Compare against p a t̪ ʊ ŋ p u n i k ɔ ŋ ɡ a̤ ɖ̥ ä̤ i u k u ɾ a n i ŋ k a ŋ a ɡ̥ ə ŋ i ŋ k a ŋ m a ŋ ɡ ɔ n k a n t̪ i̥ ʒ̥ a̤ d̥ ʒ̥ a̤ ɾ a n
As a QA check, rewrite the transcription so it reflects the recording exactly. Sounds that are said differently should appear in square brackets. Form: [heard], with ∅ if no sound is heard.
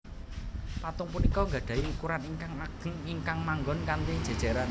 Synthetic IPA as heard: p a t̪ ʊ ŋ p u n i k ɔ ŋ ɡ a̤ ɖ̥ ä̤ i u k u ɾ a n i ŋ k a ŋ a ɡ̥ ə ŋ i ŋ k a ŋ m a ŋ ɡ ɔ n k a n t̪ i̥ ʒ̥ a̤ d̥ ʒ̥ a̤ ɾ a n